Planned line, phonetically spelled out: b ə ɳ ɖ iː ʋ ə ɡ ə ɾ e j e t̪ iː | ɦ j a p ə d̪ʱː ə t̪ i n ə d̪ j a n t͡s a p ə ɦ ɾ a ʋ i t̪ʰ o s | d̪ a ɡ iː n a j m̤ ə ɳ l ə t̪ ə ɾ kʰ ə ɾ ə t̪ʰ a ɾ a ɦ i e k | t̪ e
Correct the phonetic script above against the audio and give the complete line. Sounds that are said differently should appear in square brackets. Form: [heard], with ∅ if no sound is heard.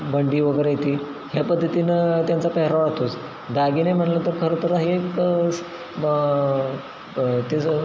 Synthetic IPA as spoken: b ə ɳ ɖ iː ʋ ə ɡ ə ɾ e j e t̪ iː | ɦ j a p ə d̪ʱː ə t̪ i n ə [t̪] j a n t͡s a p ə ɦ ɾ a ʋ [a] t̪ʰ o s | d̪ a ɡ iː n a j m̤ ə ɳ l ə t̪ ə ɾ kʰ ə ɾ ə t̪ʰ [ə] ɾ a ɦ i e k | t̪ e